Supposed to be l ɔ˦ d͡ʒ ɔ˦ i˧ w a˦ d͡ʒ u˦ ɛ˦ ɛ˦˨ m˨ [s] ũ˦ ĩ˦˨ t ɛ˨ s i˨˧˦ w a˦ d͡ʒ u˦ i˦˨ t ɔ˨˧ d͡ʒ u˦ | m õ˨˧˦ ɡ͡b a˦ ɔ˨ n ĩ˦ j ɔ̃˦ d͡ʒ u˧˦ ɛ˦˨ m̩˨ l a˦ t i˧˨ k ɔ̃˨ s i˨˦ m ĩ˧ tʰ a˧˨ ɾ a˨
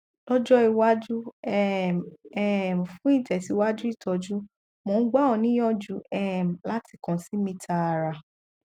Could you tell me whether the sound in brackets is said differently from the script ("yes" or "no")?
yes